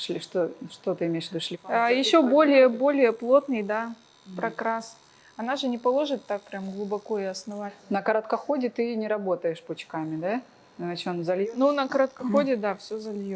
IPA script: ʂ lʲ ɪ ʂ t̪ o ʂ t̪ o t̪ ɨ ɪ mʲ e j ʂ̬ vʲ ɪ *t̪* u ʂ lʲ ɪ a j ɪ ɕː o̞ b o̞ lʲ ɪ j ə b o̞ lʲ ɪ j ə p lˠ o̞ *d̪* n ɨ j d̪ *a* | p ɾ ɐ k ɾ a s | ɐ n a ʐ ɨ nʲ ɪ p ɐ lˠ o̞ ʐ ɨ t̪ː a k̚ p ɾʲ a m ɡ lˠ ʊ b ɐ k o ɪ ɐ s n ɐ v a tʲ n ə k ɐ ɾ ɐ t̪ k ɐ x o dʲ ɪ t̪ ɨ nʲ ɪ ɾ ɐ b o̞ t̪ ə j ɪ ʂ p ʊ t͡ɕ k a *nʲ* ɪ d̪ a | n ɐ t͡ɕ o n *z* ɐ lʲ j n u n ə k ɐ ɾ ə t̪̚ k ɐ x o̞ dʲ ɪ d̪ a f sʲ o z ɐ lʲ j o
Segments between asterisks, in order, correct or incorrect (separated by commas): incorrect, incorrect, correct, incorrect, correct